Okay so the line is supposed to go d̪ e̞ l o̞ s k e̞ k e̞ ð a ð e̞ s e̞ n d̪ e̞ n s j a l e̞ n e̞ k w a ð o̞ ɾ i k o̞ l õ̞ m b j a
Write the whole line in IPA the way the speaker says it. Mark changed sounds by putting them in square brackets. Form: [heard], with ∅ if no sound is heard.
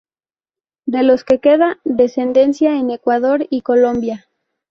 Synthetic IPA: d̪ e̞ l o̞ s k e̞ k e̞ ð a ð e̞ s e̞ n d̪ e̞ n s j a [∅] e̞ n e̞ k w a ð o̞ ɾ i k o̞ l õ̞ m b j a